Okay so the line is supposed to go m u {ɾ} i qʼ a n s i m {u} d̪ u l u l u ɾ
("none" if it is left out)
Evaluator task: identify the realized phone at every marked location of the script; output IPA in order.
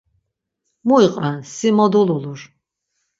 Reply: none, ɔ

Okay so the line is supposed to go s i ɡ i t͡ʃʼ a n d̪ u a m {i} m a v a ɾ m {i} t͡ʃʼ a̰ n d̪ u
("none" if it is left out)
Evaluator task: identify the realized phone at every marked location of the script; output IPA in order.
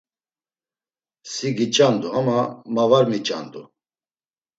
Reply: a, i

